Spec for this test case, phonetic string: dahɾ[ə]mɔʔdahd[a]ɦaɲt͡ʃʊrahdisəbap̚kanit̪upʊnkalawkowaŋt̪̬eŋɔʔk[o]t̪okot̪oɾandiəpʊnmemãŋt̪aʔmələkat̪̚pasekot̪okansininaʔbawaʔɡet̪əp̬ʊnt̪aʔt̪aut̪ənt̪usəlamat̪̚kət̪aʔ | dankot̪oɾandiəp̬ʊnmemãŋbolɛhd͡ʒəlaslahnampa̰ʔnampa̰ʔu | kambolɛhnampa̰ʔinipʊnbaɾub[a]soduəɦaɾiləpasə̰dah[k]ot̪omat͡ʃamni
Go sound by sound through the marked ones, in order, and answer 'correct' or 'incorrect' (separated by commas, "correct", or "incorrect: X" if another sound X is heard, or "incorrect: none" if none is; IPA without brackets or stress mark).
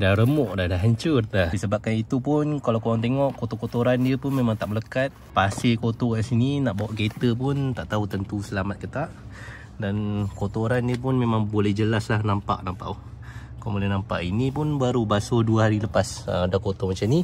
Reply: correct, correct, correct, correct, correct